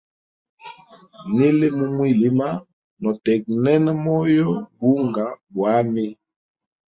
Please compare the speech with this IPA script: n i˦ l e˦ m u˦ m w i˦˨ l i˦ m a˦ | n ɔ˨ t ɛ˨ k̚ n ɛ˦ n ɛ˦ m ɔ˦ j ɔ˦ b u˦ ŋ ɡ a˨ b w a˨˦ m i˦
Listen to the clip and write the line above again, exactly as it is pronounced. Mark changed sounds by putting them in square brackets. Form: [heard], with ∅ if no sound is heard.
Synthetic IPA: n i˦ l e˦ m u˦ m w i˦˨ l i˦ m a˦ | n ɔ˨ t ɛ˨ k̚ n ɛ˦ n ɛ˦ m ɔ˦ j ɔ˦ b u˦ ŋ ɡ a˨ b w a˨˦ m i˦